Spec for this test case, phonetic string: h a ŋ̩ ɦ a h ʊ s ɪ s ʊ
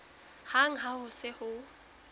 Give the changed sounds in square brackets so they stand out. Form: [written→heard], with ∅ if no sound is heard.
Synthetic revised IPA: h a ŋ̩ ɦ a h ʊ s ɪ [s→h] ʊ